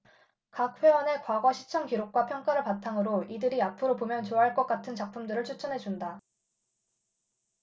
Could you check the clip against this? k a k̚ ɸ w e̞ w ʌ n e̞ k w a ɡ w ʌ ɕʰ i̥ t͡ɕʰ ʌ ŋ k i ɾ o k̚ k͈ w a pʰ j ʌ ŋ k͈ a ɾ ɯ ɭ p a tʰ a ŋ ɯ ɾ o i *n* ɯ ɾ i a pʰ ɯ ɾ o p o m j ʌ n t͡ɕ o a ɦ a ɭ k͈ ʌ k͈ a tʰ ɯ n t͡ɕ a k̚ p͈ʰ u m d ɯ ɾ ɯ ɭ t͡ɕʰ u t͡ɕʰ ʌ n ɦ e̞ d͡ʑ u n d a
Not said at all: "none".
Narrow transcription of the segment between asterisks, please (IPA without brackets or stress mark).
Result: d